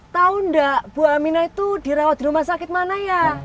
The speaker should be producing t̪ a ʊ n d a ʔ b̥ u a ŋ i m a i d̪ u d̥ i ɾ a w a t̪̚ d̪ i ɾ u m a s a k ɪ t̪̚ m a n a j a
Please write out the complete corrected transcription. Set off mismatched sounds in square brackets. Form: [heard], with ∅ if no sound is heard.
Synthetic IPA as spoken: t̪ a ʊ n d a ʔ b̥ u a [m] i [n] a i [t̪] u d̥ i ɾ a w a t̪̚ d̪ i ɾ u m a s a k ɪ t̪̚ m a n a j a